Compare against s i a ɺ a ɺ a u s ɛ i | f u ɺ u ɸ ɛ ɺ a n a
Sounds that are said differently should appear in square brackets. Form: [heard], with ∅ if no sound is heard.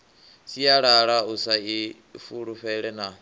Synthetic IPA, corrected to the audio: s i a ɺ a ɺ a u s [a] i | f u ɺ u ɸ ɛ ɺ [ɛ] n a